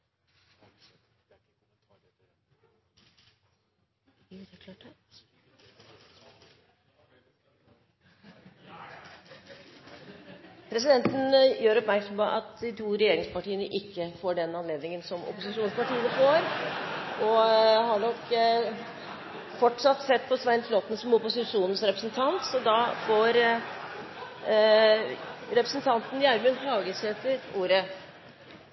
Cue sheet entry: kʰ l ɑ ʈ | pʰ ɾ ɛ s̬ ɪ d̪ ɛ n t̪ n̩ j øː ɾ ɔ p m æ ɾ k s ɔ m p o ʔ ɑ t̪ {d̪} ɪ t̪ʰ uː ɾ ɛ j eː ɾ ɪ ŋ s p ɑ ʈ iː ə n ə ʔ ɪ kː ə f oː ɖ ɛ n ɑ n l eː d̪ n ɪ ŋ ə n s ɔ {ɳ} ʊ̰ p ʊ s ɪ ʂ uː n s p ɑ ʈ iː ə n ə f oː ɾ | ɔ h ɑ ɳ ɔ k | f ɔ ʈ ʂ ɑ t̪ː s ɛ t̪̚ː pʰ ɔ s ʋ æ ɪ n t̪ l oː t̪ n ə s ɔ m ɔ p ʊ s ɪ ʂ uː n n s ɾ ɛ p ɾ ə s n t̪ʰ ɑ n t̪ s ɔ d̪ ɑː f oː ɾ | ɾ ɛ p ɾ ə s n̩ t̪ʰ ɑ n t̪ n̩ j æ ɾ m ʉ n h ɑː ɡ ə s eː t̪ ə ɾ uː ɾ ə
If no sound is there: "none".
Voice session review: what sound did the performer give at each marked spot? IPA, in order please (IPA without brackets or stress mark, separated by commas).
d̪, m